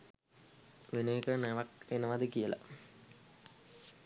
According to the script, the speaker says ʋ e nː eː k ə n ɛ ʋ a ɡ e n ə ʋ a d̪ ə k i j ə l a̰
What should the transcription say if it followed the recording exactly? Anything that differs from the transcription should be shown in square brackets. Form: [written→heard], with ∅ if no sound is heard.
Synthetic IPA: ʋ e [nː→n] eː k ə n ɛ ʋ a [ɡ→k] e n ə ʋ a d̪ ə k i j ə l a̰